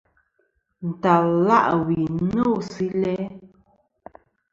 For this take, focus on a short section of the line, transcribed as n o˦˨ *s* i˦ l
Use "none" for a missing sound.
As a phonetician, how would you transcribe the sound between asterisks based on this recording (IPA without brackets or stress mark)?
s